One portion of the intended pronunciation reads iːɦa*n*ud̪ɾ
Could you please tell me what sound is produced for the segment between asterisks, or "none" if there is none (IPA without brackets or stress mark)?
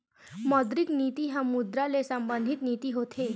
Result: m